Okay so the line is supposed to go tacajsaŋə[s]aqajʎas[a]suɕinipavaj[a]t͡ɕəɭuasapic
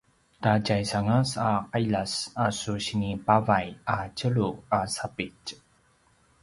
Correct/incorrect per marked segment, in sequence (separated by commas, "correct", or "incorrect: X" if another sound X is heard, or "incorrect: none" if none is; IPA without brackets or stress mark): correct, correct, correct